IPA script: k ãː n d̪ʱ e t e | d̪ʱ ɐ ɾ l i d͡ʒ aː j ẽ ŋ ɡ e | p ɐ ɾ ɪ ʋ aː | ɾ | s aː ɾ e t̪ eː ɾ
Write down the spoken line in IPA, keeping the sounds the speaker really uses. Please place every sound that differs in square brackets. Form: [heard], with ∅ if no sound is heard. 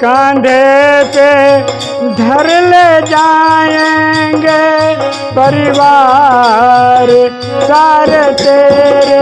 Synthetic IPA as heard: k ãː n d̪ʱ e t e | d̪ʱ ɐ ɾ l [e] d͡ʒ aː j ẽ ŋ ɡ e | p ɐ ɾ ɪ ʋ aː | ɾ | s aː ɾ e t̪ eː ɾ